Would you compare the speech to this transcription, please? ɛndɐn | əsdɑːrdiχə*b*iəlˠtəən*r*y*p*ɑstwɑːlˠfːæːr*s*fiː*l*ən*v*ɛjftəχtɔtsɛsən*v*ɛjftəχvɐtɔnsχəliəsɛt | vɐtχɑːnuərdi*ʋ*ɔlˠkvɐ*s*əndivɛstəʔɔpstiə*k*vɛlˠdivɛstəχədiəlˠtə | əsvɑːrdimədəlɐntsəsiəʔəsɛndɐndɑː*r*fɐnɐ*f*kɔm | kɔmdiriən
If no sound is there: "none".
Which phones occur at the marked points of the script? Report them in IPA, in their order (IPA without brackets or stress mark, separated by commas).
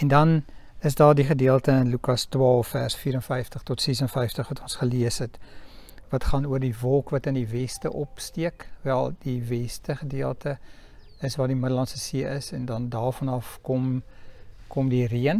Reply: d, l, k, s, ɾ, f, f, v, t, k, r, f